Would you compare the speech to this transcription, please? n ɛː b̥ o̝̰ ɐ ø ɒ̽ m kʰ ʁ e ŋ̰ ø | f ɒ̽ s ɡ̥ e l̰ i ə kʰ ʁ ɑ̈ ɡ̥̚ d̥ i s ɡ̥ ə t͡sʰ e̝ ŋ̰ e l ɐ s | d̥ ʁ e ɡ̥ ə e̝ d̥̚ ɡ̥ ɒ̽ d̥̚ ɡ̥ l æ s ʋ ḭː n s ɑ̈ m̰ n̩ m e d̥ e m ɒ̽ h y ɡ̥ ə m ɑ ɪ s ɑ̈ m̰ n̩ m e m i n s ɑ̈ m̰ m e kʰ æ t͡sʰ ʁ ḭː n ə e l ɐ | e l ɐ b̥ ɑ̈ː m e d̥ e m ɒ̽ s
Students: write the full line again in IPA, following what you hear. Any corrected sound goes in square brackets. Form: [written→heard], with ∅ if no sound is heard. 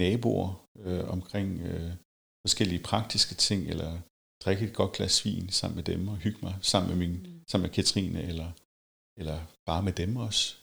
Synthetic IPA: n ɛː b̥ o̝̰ ɐ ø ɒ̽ m kʰ ʁ e ŋ̰ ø | f ɒ̽ s ɡ̥ e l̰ i ə [kʰ→pʰ] ʁ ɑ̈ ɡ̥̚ d̥ i s ɡ̥ ə t͡sʰ e̝ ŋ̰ e l ɐ [s→∅] | d̥ ʁ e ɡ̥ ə e̝ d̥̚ ɡ̥ ɒ̽ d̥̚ ɡ̥ l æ s ʋ ḭː n s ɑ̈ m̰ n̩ m e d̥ e m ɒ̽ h y ɡ̥ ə m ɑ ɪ s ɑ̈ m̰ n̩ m e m i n s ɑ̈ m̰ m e kʰ æ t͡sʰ ʁ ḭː n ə e l ɐ | e l ɐ b̥ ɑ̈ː m e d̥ e m ɒ̽ s